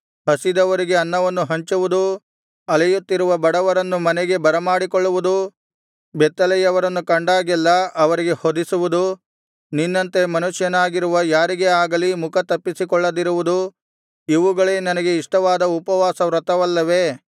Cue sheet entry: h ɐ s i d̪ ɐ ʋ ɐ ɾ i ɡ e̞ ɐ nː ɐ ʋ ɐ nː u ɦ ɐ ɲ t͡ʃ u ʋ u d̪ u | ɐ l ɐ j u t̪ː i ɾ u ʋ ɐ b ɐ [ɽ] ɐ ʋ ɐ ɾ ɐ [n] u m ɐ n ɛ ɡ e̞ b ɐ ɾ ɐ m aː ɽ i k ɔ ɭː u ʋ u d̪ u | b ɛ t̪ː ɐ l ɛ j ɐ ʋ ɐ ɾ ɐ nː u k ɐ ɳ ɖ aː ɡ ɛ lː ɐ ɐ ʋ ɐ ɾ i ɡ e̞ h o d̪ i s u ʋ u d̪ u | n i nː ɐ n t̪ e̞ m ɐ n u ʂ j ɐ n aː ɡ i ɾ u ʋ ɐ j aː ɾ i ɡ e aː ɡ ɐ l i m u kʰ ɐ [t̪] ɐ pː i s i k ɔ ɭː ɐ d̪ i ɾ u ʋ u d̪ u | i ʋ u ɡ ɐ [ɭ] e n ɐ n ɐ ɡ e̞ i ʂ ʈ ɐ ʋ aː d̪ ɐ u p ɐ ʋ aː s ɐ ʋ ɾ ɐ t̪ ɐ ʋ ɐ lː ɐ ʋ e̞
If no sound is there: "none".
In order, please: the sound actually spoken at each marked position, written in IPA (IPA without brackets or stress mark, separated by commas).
ɽ, nː, t̪, ɭ